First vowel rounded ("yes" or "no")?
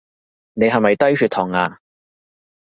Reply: no